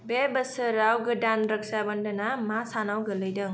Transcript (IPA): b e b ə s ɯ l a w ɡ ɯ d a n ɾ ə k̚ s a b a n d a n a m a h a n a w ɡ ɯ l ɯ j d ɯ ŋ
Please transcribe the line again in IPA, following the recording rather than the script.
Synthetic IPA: b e b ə s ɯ ɾ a w ɡ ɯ d a n ɾ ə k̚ s a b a n d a n a m a s a n a w ɡ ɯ l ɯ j d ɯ ŋ